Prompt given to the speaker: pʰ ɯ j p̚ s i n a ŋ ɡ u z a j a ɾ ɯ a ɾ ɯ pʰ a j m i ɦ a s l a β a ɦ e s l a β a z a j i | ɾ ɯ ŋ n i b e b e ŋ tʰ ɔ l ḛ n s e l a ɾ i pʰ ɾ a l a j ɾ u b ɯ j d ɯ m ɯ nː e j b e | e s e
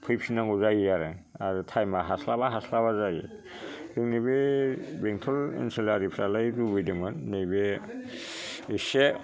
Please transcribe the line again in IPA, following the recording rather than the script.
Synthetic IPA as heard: pʰ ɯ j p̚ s i n a ŋ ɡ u z a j a ɾ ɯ a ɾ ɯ tʰ a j m a ɦ a s l a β a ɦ a s l a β a z a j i | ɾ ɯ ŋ n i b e b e ŋ tʰ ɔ l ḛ n s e l a ɾ i pʰ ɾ a l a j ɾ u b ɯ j d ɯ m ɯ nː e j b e | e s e